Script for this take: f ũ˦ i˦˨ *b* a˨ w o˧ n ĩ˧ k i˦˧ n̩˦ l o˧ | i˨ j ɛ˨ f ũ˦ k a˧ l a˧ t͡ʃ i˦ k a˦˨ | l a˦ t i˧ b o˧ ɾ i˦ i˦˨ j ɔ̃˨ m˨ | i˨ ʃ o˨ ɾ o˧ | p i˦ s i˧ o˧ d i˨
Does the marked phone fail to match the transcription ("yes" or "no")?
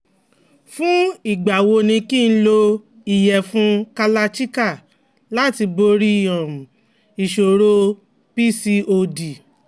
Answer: yes